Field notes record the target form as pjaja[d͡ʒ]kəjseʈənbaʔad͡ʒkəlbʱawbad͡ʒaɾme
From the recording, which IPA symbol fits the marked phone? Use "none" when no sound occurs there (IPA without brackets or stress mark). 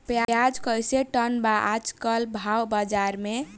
d͡ʒ